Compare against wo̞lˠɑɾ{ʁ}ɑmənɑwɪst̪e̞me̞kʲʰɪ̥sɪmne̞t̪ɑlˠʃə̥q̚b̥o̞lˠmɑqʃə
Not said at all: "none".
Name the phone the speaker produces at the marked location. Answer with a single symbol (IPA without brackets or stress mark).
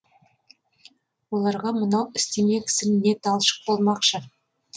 ʁ